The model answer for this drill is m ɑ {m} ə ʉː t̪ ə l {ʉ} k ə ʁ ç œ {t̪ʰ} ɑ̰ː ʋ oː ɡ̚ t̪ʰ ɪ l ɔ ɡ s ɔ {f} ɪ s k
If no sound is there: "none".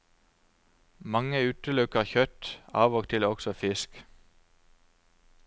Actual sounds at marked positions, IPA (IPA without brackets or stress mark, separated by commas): ŋ, ʉ, t̪, f